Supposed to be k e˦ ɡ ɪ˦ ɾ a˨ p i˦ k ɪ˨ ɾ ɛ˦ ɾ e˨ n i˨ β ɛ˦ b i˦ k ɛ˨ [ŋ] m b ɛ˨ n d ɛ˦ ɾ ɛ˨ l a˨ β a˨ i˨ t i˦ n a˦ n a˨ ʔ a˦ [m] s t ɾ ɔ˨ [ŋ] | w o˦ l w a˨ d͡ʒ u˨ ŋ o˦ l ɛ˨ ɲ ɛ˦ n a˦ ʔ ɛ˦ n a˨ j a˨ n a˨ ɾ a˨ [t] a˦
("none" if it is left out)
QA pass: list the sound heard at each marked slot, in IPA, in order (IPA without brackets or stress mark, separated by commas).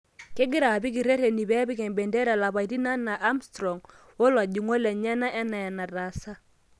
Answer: none, m, ŋ, s